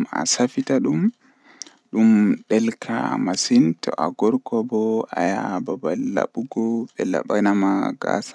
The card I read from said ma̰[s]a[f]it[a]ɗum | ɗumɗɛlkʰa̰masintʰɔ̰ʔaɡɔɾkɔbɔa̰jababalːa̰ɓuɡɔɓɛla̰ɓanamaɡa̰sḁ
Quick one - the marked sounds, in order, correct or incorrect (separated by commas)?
correct, correct, correct